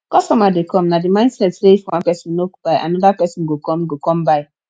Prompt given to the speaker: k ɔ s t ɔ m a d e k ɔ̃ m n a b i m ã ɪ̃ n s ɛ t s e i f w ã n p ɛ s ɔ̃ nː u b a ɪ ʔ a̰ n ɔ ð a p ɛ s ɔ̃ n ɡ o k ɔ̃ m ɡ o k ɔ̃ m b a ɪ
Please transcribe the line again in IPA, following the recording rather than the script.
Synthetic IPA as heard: k ɔ s t ɔ m a d e k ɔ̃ m n a d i m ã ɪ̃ n s ɛ t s e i f w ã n p ɛ s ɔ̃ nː o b a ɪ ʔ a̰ n ɔ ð a p ɛ s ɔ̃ n ɡ o k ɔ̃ m ɡ o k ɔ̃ m b a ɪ